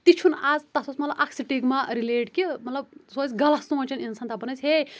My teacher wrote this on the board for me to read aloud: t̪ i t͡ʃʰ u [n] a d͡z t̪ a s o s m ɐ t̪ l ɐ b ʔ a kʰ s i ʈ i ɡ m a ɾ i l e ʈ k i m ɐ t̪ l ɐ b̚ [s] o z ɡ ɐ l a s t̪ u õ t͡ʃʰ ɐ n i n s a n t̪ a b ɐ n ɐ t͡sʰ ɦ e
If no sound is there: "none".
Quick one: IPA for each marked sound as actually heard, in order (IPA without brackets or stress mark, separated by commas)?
n, s